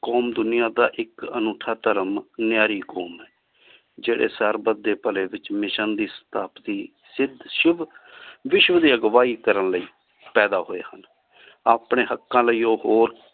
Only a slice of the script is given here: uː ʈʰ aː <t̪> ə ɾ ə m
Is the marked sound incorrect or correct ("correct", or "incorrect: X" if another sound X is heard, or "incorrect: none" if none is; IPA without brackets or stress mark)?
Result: correct